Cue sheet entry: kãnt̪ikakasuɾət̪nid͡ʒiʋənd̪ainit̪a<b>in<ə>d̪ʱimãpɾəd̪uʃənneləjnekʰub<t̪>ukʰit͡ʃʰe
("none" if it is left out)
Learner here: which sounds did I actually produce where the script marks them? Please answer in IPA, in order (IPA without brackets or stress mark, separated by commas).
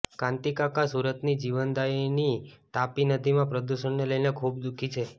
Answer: p, ə, d̪